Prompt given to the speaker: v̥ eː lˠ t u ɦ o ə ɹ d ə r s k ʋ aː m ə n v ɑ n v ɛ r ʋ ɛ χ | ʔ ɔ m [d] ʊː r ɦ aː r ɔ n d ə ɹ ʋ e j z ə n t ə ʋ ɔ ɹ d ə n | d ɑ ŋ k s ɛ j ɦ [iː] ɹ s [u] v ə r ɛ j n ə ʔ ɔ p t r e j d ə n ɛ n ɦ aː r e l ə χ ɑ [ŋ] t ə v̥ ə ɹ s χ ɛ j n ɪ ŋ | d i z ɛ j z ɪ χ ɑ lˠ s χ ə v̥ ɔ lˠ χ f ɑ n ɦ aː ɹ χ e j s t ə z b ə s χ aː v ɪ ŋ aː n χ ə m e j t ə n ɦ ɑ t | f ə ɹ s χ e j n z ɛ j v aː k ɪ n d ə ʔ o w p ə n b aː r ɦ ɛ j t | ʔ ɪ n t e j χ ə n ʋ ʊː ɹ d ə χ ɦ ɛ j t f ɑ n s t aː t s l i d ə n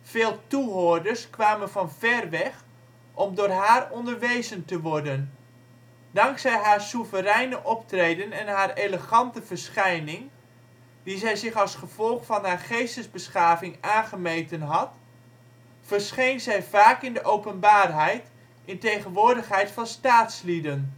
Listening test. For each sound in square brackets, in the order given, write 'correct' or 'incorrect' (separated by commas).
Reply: correct, incorrect, correct, incorrect